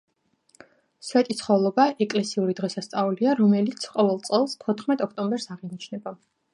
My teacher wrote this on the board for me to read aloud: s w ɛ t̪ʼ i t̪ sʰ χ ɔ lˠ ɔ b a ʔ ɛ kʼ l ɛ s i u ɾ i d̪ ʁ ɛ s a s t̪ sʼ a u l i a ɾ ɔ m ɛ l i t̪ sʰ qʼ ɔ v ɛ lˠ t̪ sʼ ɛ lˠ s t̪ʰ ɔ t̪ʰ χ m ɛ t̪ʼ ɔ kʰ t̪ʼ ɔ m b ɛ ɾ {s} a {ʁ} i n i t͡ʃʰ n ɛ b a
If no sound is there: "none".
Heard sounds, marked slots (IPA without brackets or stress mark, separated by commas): s, ʁ